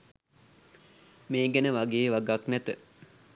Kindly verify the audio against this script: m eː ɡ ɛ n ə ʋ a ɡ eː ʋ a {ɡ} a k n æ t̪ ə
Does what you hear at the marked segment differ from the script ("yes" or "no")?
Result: no